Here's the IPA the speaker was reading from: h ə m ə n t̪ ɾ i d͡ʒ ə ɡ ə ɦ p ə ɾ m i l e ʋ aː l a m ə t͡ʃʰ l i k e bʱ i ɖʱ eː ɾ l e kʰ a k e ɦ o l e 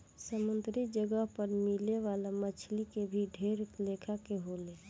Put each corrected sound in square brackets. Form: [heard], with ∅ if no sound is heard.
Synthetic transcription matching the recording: [s] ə m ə n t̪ ɾ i d͡ʒ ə ɡ ə ɦ p ə ɾ m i l e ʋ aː l a m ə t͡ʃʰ l i k e bʱ i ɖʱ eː ɾ l e kʰ a k e ɦ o l e